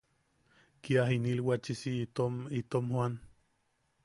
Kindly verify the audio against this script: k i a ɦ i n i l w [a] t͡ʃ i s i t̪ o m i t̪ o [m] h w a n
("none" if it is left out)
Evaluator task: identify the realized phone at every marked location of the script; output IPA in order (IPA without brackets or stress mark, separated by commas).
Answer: a, m